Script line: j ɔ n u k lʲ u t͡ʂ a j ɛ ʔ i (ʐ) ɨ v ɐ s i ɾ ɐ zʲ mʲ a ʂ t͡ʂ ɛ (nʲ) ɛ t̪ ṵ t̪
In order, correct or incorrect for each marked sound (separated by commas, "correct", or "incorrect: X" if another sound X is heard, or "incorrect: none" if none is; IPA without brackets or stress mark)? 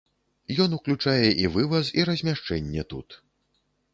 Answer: incorrect: v, incorrect: nʲː